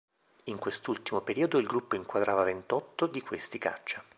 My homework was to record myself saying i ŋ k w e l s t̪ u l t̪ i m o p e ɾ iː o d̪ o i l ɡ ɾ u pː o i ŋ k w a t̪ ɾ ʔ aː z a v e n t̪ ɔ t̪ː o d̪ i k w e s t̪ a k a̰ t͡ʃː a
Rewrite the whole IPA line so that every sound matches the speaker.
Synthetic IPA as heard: i ŋ k w e s t̪ u l t̪ i m o p e ɾ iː o d̪ o i l ɡ ɾ u pː o i ŋ k w a d̪ ɾ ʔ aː v a v e n t̪ ɔ t̪ː o d̪ i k w e s t̪ i k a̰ t͡ʃː a

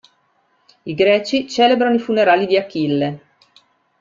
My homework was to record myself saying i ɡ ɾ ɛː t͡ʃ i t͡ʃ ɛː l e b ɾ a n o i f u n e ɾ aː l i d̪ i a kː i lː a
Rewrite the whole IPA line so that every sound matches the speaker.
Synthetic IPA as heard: i ɡ ɾ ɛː t͡ʃ i t͡ʃ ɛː l e b ɾ a n o i f u n e ɾ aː l i d̪ i a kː i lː e

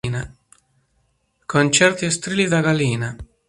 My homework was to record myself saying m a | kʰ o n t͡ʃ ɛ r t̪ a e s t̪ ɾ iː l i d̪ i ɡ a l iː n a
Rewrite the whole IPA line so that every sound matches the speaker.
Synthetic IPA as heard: n a | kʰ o n t͡ʃ ɛ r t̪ i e s t̪ ɾ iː l i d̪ a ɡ a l iː n a

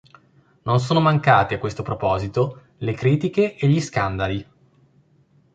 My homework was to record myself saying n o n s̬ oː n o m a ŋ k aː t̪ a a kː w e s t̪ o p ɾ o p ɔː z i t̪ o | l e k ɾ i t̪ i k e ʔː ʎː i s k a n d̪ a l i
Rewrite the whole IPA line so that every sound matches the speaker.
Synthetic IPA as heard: n o n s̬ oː n o m a ŋ k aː t̪ e a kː w e s t̪ o p ɾ o p ɔː z i t̪ o | l e k ɾ iː t̪ i k e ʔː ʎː i s k a n d̪ a l i

